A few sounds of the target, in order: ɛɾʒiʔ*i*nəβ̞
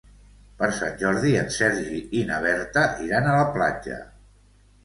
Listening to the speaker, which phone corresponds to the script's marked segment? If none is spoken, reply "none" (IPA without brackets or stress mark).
i